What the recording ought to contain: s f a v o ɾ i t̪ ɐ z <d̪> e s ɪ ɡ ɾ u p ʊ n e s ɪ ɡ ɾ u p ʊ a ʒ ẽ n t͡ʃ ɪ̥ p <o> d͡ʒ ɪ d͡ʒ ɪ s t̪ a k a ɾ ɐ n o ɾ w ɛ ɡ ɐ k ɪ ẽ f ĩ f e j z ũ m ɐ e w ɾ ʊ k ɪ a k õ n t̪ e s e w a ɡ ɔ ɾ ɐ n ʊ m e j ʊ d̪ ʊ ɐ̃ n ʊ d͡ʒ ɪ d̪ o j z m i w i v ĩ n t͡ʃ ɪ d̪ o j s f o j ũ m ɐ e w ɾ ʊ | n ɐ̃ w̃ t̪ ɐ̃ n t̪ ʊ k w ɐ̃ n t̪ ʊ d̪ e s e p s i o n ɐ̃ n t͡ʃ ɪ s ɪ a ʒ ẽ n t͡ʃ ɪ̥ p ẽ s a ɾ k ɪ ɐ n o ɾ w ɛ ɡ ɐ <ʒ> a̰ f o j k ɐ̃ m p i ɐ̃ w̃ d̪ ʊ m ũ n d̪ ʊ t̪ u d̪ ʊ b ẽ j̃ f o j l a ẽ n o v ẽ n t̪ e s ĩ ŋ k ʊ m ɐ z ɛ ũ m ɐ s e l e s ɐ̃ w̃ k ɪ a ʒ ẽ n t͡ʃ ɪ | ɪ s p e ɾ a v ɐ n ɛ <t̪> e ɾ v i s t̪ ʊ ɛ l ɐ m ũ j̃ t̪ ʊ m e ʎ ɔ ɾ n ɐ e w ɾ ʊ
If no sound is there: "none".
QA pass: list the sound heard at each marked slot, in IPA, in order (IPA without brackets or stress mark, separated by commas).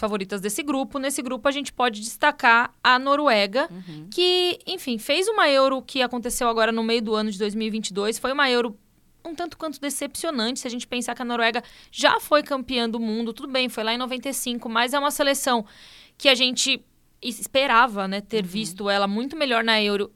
d̪, ɔ, ʒ, t̪